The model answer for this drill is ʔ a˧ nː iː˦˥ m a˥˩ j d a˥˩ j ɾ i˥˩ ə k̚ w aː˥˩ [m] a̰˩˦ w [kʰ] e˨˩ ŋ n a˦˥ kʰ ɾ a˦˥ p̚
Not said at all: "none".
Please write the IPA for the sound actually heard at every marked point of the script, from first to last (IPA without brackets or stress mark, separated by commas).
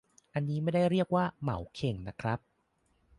m, kʰ